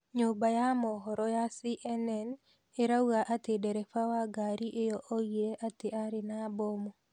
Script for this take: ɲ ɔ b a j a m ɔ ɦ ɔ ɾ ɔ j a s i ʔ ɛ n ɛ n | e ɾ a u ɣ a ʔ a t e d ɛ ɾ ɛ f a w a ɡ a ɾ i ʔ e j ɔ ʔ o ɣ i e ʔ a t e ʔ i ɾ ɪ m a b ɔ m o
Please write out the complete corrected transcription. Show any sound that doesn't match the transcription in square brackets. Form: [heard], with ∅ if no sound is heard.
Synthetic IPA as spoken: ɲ [o] b a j a m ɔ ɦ ɔ ɾ ɔ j a s i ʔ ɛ n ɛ n | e ɾ a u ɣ a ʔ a t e d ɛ ɾ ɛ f a w a ɡ a ɾ i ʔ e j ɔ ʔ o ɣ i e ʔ a t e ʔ [a] ɾ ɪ [n] a b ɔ m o